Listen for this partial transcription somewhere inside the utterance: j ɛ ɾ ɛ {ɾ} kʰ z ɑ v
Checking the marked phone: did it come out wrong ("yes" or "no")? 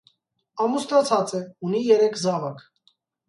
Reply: yes